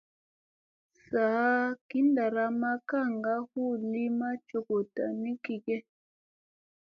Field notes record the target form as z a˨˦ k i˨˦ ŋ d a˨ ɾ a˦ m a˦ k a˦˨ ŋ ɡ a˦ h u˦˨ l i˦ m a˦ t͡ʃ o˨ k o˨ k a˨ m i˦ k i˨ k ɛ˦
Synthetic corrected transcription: s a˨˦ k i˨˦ n d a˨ ɾ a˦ m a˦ k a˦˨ ŋ ɡ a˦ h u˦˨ l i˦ m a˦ t͡ʃ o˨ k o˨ t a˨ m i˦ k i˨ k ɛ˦

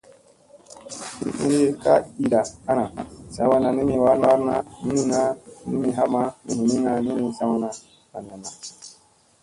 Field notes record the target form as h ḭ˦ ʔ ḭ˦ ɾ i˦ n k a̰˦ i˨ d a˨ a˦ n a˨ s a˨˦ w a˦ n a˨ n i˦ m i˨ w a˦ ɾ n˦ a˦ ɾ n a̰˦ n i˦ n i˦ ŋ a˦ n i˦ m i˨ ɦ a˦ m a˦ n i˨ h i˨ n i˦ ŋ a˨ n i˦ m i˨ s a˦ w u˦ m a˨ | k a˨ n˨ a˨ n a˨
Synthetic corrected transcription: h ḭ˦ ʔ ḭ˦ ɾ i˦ k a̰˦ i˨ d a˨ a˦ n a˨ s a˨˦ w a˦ n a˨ n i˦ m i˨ w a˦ ɾ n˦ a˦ ɾ n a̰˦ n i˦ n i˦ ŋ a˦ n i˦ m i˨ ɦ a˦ m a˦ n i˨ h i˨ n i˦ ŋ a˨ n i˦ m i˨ s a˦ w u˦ n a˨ | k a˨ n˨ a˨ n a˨

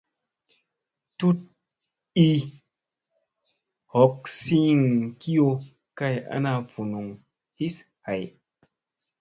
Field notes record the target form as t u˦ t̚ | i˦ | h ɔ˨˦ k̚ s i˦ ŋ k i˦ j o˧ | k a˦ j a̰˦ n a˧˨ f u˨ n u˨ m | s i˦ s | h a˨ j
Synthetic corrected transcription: t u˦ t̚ | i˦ | h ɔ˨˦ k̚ s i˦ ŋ k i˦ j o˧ | k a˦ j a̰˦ n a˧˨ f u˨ n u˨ ŋ | h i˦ s | h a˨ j

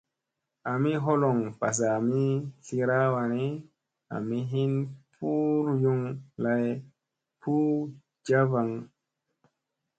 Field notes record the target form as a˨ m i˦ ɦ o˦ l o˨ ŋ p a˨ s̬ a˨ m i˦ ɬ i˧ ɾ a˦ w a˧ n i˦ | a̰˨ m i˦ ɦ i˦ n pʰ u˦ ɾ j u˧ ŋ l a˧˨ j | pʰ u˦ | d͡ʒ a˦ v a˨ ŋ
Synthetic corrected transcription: a˨ m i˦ ɦ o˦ l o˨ ŋ p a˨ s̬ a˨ m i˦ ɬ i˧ ɾ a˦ w a˧ n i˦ | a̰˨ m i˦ ɦ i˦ n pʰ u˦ ɾ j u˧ ŋ l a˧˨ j | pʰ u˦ | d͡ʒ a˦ v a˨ ŋ

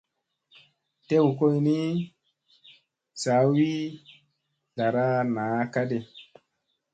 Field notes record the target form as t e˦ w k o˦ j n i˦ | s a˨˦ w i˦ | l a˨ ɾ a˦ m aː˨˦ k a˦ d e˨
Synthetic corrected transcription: t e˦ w k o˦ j n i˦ | s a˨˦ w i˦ | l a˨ ɾ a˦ n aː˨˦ k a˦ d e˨

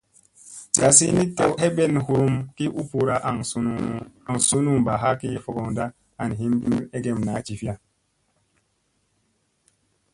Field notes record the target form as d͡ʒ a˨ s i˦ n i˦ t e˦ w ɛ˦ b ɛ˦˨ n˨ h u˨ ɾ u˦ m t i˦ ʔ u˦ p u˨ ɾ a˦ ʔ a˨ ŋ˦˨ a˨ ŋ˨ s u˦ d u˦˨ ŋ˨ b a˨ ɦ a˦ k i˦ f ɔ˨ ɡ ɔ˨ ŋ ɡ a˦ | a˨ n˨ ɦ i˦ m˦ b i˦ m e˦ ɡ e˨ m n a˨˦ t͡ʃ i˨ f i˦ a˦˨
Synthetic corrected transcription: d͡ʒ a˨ s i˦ n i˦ t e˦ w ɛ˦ b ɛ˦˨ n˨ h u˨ ɾ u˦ m k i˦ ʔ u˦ p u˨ ɾ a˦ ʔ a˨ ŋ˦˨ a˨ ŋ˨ s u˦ n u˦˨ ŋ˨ b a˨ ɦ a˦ k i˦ f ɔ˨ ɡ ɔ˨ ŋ d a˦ | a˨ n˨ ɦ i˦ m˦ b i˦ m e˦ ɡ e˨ m n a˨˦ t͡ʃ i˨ f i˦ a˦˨

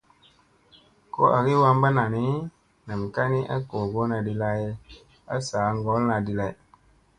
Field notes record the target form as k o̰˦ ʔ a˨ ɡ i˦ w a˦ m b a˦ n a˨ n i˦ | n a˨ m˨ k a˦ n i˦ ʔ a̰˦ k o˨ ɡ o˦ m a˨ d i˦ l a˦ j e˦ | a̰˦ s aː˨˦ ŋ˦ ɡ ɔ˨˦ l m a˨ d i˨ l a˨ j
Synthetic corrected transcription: k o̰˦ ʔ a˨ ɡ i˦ w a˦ m b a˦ n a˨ n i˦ | n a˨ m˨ k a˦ n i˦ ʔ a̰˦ k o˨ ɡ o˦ n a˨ d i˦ l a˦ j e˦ | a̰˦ s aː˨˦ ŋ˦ ɡ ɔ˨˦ l n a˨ d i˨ l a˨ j

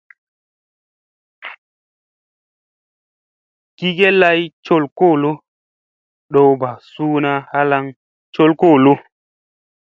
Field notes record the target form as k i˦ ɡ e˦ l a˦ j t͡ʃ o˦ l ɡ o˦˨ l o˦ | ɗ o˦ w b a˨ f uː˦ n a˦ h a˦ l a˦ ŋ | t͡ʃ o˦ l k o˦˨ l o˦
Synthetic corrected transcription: k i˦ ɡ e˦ l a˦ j t͡ʃ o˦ l k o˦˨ l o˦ | ɗ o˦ w b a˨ s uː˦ n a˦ h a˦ l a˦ ŋ | t͡ʃ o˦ l k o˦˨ l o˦

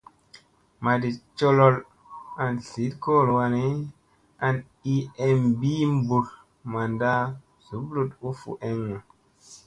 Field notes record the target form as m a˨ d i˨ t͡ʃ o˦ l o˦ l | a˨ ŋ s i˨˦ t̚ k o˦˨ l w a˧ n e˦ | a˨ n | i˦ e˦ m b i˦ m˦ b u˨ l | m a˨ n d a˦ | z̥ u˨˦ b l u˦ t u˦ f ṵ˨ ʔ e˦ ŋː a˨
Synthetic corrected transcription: m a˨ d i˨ t͡ʃ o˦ l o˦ l | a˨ n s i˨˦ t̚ k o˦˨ l w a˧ n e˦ | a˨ n | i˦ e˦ m b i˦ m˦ b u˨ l | m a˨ n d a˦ | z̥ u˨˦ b l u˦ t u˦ f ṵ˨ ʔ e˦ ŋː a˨

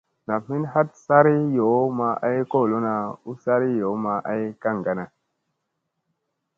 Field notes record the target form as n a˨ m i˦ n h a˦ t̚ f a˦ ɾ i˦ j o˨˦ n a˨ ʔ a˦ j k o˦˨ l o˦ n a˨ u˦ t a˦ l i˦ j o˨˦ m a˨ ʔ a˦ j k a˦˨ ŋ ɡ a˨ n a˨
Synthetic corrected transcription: n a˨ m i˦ n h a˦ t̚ s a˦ ɾ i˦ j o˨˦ m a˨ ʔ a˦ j k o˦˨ l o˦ n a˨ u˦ s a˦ ɾ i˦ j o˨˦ m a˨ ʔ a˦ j k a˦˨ ŋ ɡ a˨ n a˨

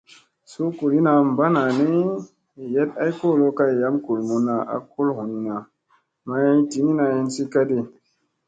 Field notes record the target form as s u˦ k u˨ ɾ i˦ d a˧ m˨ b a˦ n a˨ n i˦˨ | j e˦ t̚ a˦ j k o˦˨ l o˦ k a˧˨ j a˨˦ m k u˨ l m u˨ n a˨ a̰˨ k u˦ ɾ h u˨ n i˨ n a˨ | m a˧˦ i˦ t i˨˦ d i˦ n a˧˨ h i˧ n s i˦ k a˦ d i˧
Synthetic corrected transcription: s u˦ k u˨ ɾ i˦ n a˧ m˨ b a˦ n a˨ n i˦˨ | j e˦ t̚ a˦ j k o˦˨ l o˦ k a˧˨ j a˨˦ m k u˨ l m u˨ n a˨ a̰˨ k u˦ l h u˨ n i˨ n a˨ | m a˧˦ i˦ t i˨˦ n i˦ n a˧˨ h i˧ n s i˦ k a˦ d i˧

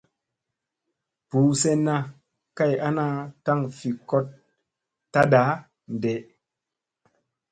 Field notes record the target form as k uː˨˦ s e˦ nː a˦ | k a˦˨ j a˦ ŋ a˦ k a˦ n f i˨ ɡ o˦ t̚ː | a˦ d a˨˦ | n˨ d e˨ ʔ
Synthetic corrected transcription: p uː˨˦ s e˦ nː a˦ | k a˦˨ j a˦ n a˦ t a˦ ŋ f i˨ k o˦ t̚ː | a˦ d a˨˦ | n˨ d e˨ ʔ

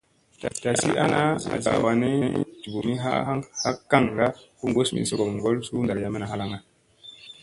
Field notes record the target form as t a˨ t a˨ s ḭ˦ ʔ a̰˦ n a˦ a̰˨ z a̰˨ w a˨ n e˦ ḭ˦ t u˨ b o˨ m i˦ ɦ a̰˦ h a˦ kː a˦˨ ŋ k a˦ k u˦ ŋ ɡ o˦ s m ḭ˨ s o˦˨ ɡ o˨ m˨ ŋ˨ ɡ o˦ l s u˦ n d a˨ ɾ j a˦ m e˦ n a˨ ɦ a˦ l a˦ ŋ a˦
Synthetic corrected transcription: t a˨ t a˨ s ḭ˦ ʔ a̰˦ n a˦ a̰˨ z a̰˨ w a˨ n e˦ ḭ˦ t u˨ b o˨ m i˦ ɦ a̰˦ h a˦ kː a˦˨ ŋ ɡ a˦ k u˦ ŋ ɡ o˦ s m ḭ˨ s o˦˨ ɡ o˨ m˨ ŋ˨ ɡ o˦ l s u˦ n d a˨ ɾ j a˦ m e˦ n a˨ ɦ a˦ l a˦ ŋ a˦

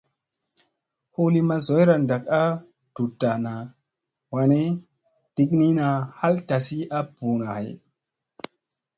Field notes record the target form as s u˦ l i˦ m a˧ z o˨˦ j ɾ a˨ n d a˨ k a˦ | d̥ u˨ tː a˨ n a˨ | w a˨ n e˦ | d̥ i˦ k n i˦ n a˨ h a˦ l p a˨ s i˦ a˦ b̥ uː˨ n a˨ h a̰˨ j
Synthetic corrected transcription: h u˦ l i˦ m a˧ z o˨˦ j ɾ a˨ n d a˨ k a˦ | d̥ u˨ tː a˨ n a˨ | w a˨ n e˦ | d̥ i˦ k n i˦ n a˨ h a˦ l t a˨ s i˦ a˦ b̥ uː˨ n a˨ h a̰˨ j

